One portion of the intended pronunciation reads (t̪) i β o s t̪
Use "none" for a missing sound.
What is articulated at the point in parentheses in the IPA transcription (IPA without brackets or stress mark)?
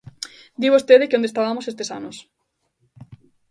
d̪